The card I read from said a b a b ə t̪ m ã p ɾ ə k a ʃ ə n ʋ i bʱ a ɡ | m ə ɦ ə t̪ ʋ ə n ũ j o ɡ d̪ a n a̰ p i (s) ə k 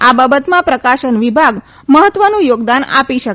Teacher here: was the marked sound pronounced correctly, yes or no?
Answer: no